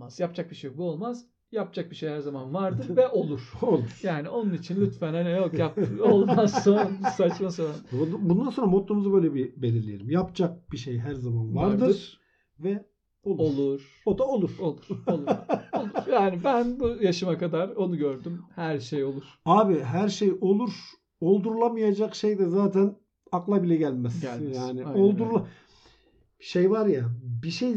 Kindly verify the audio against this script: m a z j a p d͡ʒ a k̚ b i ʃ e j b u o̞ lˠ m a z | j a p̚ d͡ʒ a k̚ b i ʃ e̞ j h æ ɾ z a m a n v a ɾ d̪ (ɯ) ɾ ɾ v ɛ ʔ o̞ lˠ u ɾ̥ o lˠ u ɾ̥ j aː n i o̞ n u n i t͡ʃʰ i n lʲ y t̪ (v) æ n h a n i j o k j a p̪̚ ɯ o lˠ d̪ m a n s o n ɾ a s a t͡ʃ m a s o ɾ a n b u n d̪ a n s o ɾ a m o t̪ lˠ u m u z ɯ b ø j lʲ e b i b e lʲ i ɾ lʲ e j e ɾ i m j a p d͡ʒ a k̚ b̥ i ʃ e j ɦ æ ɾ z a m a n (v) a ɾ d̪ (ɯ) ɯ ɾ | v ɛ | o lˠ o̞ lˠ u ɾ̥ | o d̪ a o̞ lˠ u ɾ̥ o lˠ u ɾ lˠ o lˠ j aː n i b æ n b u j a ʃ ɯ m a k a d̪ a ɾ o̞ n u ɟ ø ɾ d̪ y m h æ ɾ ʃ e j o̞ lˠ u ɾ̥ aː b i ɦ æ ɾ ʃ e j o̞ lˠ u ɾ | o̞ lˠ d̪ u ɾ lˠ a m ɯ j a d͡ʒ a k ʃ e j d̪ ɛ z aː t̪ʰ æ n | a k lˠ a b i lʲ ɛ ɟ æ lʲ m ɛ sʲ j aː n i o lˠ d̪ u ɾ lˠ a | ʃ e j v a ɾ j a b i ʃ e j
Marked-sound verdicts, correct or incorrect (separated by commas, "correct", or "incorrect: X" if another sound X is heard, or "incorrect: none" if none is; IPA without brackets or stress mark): correct, incorrect: f, correct, correct